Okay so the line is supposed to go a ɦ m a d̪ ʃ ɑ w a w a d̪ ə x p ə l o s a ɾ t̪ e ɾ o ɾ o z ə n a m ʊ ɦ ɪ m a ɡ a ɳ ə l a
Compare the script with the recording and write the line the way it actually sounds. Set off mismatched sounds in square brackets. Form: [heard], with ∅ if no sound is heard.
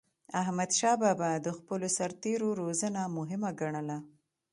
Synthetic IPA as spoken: a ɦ m a d̪ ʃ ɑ [b] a [b] a d̪ ə x p ə l o s a ɾ t̪ e ɾ o ɾ o z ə n a m ʊ ɦ ɪ m a ɡ a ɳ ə l a